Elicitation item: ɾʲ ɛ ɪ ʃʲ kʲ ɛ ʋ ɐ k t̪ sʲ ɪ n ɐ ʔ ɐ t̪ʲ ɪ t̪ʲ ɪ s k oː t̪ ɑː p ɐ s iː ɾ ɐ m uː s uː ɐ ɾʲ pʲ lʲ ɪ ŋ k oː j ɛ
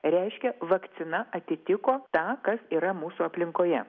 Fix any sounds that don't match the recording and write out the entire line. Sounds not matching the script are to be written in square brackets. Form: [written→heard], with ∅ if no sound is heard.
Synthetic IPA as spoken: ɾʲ ɛ ɪ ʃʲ kʲ ɛ ʋ ɐ k t̪ sʲ ɪ n ɐ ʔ ɐ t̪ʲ ɪ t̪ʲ ɪ [s→∅] k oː t̪ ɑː [p→k] ɐ s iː ɾ ɐ m uː s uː ɐ [ɾʲ→∅] pʲ lʲ ɪ ŋ k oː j ɛ